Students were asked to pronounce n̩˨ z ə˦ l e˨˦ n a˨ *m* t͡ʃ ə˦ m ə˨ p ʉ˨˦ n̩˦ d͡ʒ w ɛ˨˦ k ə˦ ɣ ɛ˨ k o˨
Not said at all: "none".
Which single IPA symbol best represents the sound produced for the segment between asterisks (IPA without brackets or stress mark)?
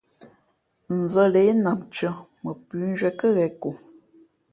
m